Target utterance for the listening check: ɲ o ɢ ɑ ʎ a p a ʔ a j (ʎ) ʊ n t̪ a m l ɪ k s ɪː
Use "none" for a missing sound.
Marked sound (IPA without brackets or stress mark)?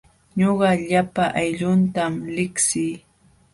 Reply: ʎ